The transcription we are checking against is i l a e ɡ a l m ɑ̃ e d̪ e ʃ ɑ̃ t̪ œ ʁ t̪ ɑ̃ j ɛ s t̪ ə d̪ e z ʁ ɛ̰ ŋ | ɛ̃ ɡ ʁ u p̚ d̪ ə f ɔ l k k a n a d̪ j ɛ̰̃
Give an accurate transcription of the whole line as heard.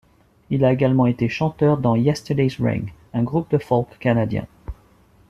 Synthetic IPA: i l a e ɡ a l m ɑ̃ e t̪ e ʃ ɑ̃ t̪ œ ʁ d̪ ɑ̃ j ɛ s t̪ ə d̪ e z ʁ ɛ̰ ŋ | ɛ̃ ɡ ʁ u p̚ d̪ ə f ɔ l k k a n a d̪ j ɛ̰̃

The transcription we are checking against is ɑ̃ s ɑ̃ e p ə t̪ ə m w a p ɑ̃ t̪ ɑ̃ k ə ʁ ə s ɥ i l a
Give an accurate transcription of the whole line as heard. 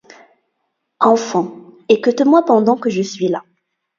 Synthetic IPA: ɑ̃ f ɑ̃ e k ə t̪ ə m w a p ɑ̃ d̪ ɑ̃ k ə ʒ ə s ɥ i l a

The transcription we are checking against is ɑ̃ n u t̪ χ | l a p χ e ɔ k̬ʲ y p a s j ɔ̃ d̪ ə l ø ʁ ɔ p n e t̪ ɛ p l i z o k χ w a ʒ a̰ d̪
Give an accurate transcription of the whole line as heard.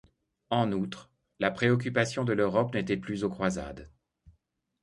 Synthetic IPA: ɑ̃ n u t̪ χ | l a p χ e ɔ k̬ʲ y p a s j ɔ̃ d̪ ə l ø ʁ ɔ p n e t̪ ɛ p l y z o k χ w a z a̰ d̪

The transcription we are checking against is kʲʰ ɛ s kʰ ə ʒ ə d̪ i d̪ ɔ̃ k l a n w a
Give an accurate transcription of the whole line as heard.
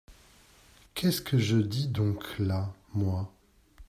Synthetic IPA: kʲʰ ɛ s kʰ ə ʒ ə d̪ i d̪ ɔ̃ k l a m w a

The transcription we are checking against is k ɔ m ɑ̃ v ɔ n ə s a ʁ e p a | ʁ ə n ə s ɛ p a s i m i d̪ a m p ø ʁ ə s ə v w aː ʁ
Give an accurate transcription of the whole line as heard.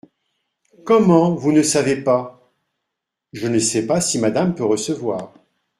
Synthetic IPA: k ɔ m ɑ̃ v u n ə s a v e p a | ʒ ə n ə s ɛ p a s i m a d̪ a m p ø ʁ ə s ə v w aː ʁ

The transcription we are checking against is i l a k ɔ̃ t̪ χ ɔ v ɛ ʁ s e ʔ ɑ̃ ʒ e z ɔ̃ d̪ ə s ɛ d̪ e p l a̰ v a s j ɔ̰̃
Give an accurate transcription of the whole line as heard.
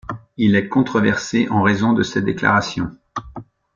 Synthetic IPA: i l ɛ k ɔ̃ t̪ χ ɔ v ɛ ʁ s e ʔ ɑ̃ ʁ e z ɔ̃ d̪ ə s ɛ d̪ e k l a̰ ʁ a s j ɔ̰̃

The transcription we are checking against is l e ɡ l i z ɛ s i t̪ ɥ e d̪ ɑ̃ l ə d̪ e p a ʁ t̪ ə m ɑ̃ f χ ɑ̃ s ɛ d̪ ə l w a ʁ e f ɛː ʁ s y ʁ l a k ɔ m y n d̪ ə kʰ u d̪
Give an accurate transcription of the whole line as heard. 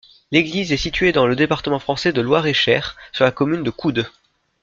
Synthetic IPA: l e ɡ l i z ɛ s i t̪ ɥ e d̪ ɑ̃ l ə d̪ e p a ʁ t̪ ə m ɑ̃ f χ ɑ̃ s ɛ d̪ ə l w a ʁ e ʃ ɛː ʁ s y ʁ l a k ɔ m y n d̪ ə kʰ u d̪

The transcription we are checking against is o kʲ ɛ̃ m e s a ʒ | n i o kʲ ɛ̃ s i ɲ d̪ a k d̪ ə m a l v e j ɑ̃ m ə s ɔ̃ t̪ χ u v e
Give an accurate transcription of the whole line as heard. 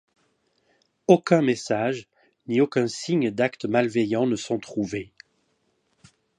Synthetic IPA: o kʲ ɛ̃ m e s a ʒ | n i o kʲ ɛ̃ s i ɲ d̪ a k t̪ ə m a l v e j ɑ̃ n ə s ɔ̃ t̪ χ u v e

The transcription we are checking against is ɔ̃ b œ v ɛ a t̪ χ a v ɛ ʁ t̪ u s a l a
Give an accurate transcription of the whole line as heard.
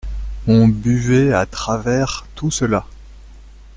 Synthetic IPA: ɔ̃ b y v ɛ a t̪ χ a v ɛ ʁ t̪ u s ə l a

